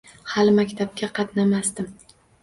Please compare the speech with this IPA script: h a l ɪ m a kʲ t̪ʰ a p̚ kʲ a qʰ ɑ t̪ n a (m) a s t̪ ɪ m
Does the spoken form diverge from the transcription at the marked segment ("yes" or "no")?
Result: no